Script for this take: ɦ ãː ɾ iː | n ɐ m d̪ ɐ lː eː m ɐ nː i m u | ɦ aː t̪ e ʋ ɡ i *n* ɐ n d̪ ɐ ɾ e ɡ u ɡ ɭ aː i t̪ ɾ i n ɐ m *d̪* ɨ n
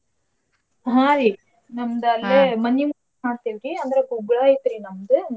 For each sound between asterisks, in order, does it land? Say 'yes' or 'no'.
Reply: no, yes

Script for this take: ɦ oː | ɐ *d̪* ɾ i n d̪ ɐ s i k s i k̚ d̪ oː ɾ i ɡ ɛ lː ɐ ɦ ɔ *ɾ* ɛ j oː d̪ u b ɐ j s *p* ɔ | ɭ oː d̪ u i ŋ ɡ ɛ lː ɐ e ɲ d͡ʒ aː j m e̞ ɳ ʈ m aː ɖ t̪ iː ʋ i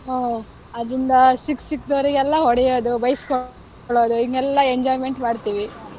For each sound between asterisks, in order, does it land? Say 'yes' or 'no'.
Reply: yes, no, no

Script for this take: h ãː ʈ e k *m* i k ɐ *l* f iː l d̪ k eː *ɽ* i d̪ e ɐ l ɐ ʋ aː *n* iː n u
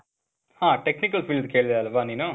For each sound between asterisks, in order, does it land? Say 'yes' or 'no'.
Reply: no, yes, no, yes

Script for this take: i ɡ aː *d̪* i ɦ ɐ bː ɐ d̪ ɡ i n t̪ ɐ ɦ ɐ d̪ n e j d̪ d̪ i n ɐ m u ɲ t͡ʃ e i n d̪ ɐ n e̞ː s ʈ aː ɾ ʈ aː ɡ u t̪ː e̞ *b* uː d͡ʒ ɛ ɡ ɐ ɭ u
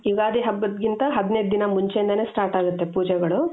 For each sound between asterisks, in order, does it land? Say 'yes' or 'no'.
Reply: yes, no

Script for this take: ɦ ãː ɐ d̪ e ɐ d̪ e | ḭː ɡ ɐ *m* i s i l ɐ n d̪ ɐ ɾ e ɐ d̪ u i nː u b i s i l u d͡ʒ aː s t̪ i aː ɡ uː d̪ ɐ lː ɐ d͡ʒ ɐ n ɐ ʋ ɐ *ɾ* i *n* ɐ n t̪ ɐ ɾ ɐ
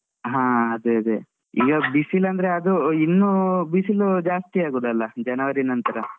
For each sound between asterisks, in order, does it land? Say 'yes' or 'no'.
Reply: no, yes, yes

